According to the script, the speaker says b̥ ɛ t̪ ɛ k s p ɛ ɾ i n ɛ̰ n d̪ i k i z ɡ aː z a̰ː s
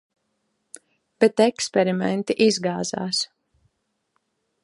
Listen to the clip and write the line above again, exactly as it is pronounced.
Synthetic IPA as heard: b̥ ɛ t̪ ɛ k s p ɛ ɾ i m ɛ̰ n t̪ i ʔ i z ɡ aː z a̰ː s